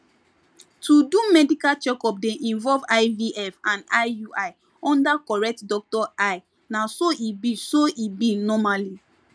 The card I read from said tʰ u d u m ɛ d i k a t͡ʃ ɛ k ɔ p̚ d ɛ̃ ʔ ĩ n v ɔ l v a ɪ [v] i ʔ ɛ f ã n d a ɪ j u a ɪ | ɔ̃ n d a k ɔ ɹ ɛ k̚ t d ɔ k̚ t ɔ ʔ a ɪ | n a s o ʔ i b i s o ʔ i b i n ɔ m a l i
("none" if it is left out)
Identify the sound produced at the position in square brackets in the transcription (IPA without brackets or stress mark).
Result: v